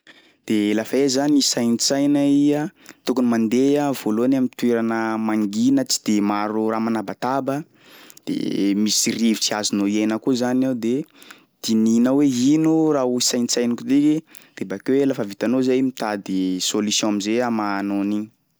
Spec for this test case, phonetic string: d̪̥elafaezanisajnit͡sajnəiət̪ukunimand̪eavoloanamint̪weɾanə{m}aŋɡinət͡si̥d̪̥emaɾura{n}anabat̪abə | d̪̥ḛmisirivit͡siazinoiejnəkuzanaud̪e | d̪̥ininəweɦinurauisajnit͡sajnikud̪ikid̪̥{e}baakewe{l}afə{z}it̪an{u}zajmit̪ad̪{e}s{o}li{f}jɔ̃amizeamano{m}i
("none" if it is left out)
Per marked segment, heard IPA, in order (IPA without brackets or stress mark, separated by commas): m, m, e, l, v, o, i, o, s, n